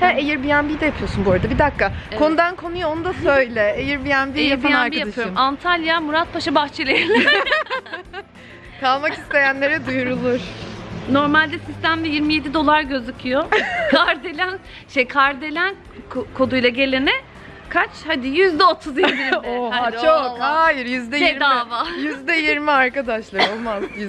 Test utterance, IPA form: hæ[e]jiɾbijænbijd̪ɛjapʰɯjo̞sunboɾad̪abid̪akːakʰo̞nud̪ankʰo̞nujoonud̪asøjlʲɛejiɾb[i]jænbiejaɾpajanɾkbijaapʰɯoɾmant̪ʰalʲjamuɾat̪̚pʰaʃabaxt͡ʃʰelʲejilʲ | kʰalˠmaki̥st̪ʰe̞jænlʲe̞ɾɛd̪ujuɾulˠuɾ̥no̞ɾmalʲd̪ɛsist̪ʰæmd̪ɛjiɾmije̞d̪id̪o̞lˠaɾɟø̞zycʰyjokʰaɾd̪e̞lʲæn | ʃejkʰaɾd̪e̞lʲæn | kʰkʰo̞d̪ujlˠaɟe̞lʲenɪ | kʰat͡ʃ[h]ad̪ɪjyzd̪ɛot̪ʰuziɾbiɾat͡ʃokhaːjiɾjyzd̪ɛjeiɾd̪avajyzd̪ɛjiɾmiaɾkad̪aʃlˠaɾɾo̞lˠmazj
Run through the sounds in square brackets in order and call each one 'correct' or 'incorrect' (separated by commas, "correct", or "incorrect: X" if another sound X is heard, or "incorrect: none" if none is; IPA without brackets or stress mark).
correct, correct, correct